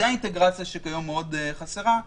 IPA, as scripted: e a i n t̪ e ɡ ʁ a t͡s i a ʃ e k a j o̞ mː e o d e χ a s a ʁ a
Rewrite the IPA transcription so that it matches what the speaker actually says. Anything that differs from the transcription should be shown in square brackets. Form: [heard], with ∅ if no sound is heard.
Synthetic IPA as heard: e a i n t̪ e ɡ ʁ a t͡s [j] a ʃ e k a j o̞ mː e o d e χ a s [e] ʁ a